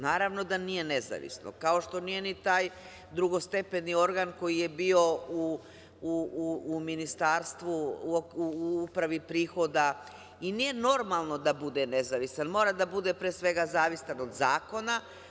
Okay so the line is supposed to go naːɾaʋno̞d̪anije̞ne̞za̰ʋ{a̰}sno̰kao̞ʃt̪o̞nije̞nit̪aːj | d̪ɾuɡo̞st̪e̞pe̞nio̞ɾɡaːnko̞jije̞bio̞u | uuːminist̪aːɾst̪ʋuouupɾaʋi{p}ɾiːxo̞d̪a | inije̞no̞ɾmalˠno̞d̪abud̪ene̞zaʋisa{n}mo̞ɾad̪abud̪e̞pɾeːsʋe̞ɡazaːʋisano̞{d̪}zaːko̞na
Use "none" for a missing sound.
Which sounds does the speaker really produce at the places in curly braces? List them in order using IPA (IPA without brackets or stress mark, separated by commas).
ḭ, p, n, d̪